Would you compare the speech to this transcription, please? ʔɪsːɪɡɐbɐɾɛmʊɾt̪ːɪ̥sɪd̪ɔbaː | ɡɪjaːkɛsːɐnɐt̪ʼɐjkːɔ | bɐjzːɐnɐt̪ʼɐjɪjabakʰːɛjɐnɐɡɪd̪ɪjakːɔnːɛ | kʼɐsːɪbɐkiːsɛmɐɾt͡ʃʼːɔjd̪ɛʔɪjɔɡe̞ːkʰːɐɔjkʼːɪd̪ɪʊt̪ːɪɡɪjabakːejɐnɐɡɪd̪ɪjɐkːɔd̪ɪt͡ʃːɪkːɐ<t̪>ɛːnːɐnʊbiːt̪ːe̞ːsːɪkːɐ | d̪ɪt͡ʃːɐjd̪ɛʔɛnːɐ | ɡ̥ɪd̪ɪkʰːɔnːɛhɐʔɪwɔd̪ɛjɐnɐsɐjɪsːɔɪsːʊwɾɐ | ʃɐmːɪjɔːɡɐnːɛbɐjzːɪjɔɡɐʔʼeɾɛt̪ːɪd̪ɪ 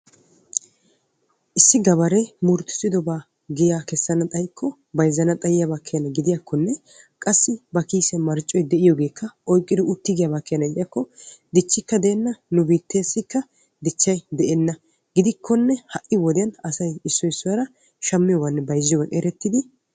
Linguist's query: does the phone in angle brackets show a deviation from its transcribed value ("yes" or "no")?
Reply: yes